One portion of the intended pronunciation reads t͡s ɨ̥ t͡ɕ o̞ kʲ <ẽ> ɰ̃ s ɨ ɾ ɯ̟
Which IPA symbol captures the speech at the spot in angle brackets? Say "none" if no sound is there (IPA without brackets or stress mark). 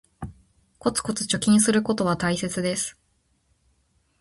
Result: ĩ